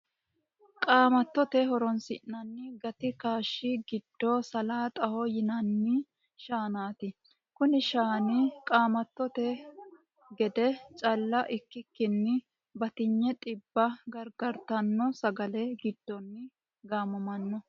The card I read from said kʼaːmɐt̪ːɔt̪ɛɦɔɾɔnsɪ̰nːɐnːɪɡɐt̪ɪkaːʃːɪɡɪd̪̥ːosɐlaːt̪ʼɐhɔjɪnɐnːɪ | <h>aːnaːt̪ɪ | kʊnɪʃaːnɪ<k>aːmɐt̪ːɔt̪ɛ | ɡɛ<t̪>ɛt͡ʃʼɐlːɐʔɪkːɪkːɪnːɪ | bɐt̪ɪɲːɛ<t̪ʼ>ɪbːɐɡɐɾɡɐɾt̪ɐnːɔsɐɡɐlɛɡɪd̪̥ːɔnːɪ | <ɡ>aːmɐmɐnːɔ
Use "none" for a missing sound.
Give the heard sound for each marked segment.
ʃ, kʼ, d̪, t̪ʼ, ɡ

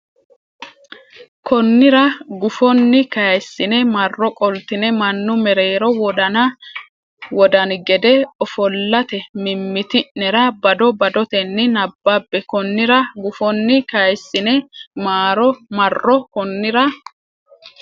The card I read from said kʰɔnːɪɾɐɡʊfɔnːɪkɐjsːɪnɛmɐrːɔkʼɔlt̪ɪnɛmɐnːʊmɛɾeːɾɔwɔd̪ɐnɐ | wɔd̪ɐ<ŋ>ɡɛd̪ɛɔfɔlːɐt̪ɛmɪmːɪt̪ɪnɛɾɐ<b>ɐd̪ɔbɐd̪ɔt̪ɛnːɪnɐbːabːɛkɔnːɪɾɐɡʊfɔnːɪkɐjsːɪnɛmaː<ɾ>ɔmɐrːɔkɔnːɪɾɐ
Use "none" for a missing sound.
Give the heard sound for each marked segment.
n, b, ɾ

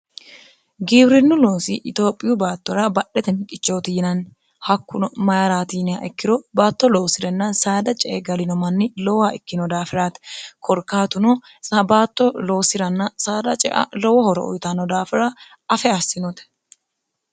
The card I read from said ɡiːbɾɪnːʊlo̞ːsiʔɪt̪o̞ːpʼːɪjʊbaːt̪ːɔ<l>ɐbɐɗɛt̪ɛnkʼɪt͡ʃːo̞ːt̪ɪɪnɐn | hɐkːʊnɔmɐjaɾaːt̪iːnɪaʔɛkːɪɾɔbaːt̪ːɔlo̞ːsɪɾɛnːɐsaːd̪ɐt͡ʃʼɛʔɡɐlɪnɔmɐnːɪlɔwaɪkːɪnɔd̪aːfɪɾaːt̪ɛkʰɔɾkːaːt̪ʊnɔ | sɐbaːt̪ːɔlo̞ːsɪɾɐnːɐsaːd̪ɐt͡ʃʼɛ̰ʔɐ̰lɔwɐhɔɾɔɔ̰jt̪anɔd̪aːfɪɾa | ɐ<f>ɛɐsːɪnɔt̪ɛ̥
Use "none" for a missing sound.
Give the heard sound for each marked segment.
ɾ, f

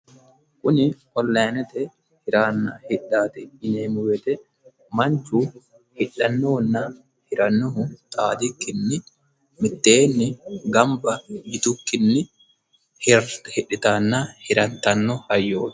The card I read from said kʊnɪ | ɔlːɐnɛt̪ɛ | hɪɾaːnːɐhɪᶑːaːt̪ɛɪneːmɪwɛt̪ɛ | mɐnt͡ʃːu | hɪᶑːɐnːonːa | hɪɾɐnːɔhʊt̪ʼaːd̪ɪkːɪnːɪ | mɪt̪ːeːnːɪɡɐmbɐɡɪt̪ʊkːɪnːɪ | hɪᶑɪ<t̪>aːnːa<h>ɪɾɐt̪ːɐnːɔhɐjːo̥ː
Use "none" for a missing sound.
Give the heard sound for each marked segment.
t̪, h

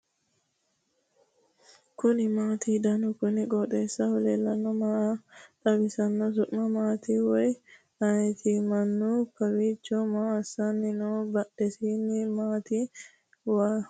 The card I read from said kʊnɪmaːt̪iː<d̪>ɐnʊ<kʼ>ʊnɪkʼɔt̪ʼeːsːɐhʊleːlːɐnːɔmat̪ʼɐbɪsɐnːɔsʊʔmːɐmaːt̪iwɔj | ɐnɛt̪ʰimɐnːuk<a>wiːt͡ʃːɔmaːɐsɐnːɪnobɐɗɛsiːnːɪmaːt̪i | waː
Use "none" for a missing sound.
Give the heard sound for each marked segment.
d̪, k, ɐ

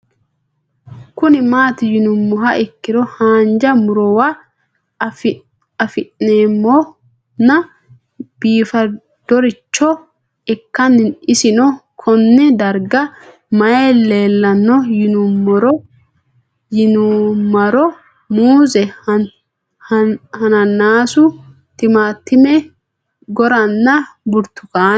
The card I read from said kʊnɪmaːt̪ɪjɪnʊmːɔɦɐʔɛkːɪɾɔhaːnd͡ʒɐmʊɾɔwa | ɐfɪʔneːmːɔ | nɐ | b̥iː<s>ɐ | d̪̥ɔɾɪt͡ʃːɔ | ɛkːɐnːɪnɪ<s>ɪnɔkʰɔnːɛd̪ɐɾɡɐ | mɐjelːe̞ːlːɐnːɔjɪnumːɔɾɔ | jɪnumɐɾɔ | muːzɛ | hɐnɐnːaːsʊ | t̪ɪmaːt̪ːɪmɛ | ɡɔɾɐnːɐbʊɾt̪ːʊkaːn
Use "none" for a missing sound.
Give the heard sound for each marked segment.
f, s

